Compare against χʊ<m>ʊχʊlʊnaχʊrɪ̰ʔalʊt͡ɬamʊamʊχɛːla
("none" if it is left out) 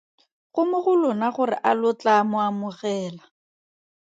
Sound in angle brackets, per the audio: m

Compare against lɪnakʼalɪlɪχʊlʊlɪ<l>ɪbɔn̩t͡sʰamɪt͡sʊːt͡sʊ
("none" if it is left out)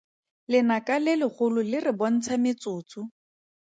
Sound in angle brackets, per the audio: r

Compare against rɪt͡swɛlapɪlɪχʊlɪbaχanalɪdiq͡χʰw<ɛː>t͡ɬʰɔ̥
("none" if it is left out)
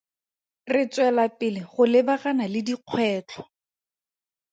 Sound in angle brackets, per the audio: ɛː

